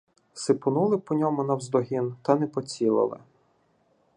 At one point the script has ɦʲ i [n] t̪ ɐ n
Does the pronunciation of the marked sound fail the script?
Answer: no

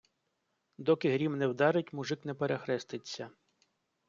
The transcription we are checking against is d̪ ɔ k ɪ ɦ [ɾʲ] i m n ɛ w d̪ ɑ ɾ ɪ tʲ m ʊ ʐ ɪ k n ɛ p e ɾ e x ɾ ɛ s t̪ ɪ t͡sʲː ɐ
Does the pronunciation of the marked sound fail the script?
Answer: no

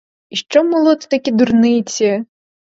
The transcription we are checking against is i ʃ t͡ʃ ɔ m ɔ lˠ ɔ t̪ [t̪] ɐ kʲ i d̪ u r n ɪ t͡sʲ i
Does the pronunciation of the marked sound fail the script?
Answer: no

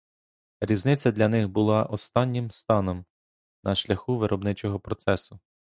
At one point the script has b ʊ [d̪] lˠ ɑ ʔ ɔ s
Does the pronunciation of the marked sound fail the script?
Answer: yes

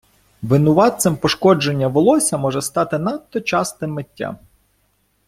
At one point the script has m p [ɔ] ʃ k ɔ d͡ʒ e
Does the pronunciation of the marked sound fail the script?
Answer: no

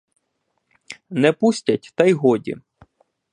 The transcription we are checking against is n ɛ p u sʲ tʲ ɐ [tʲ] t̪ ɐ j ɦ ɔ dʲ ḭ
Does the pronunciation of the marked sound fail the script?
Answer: no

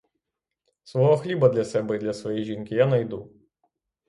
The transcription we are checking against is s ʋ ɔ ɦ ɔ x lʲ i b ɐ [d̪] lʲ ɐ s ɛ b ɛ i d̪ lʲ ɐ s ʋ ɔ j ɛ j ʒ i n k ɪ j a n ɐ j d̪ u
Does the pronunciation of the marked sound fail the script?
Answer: no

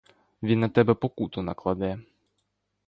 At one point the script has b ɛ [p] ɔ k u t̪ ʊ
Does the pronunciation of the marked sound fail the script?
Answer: no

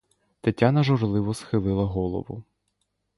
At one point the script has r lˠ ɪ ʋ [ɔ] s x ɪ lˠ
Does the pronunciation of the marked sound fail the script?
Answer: no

